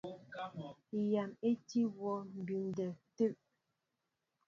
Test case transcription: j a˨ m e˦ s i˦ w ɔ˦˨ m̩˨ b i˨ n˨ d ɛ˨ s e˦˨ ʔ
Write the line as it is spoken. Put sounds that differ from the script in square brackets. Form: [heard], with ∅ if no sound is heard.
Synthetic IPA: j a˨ m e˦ [t] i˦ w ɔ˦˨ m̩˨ b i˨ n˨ d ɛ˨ [t] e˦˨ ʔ